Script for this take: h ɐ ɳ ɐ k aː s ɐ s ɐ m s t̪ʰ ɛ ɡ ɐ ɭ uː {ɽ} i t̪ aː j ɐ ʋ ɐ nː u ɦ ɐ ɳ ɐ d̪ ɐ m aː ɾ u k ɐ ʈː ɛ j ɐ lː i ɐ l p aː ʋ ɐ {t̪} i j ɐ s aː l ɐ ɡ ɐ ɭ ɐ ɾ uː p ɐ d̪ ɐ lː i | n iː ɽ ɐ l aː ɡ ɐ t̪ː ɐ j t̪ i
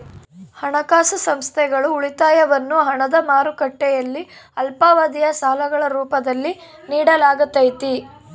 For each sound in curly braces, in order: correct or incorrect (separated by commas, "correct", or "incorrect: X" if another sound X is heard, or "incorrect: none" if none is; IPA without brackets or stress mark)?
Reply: incorrect: ɭ, incorrect: d̪